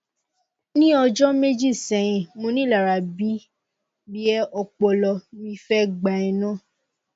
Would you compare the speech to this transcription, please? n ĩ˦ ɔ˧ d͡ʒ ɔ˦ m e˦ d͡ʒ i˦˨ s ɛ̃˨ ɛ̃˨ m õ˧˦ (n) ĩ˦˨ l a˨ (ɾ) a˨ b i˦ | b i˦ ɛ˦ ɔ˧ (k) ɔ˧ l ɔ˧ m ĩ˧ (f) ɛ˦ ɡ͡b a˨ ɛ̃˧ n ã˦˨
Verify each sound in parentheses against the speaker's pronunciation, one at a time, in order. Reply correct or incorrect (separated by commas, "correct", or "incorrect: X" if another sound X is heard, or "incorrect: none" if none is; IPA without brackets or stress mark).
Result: correct, correct, incorrect: k͡p, correct